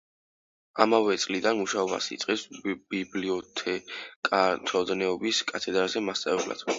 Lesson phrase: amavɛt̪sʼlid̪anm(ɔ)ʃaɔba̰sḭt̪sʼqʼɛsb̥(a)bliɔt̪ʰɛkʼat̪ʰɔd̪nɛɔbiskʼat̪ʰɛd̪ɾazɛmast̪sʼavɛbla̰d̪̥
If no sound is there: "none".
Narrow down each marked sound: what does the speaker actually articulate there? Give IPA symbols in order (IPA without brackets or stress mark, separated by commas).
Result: u, i